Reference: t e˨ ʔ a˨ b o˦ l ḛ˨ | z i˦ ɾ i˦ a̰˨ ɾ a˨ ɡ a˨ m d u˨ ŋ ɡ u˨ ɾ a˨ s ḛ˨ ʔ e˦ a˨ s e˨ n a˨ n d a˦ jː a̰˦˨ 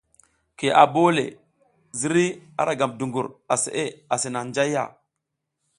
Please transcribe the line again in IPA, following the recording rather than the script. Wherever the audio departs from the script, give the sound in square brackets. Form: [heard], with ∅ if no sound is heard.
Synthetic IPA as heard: [k] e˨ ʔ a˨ b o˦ l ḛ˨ | z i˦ ɾ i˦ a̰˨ ɾ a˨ ɡ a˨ m d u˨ ŋ ɡ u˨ ɾ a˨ s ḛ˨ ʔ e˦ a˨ s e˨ n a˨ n [d͡ʒ] a˦ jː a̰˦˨